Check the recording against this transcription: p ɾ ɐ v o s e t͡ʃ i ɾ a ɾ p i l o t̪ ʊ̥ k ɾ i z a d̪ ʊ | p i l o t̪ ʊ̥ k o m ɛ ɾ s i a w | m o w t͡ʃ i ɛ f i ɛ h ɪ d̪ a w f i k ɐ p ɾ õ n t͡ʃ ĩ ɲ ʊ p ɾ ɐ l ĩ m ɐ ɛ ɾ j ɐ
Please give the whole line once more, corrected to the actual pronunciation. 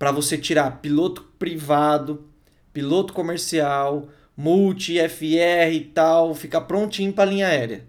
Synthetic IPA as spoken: p ɾ ɐ v o s e t͡ʃ i ɾ a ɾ p i l o t̪ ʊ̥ p ɾ i v a d̪ ʊ | p i l o t̪ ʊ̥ k o m e ɾ s i a w | m u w t͡ʃ i ɛ f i ɛ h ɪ t̪ a w f i k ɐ p ɾ õ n t͡ʃ ĩ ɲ ʊ p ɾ ɐ l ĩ ɲ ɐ ɛ ɾ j ɐ